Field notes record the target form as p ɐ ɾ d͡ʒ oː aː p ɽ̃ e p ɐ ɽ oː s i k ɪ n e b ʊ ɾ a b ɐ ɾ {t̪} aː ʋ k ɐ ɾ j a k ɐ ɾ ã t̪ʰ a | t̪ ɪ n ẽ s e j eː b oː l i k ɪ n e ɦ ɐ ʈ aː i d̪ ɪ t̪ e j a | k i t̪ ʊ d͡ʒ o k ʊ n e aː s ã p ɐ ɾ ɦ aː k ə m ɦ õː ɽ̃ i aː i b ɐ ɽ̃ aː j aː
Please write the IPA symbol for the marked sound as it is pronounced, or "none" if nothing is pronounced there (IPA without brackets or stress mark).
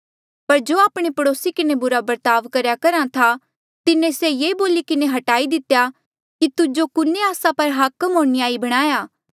t̪